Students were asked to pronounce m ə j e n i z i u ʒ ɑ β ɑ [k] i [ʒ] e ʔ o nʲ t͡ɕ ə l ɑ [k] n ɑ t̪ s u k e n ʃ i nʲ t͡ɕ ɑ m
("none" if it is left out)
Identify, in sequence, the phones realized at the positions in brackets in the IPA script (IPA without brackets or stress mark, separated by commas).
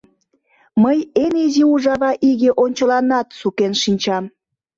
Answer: ʔ, ɣ, none